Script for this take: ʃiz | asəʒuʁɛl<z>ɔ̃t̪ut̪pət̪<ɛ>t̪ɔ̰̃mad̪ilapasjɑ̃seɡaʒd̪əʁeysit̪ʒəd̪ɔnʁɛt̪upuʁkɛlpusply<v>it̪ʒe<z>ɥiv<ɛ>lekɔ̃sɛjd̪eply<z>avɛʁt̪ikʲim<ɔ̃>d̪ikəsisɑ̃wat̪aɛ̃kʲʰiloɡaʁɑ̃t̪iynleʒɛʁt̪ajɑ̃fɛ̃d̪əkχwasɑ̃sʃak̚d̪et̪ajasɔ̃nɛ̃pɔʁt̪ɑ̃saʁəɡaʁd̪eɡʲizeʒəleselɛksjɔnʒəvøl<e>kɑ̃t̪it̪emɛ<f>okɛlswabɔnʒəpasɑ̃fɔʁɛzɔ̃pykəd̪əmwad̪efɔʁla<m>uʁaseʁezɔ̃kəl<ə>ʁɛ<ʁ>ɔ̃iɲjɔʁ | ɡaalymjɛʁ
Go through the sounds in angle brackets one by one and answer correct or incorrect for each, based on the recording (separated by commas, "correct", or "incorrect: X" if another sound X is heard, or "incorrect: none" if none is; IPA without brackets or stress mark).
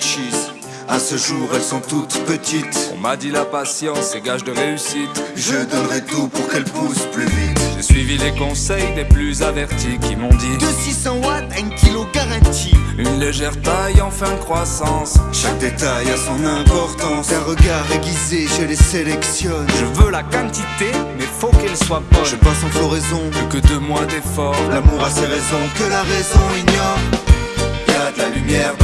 incorrect: s, incorrect: i, correct, incorrect: s, incorrect: i, correct, correct, incorrect: a, correct, correct, incorrect: a, incorrect: z